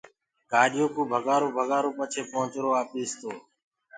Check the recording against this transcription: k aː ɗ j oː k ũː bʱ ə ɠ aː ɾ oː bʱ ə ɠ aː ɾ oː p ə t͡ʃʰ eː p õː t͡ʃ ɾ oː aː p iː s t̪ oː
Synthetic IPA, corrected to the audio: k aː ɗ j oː k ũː bʱ ə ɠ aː ɾ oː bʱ ə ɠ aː ɾ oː p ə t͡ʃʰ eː p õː t͡ʃ ɾ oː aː p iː s t̪ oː